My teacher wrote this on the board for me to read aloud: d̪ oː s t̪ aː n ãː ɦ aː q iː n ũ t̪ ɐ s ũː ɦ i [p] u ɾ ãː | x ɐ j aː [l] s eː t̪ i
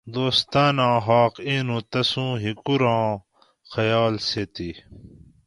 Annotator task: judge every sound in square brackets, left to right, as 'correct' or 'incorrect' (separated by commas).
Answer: incorrect, correct